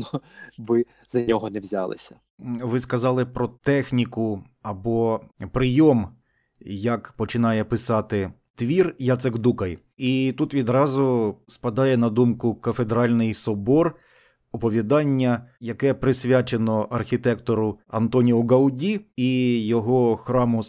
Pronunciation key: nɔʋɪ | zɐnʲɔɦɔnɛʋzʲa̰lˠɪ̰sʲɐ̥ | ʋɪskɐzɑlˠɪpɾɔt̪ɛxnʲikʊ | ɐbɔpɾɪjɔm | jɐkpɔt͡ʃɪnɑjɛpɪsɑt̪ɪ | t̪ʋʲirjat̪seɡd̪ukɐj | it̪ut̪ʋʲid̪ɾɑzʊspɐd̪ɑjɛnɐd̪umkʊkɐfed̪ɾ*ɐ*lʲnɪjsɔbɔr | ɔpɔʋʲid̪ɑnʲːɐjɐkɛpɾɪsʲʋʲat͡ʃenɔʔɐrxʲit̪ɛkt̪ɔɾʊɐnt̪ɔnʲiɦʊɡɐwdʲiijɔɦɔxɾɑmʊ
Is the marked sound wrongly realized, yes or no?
yes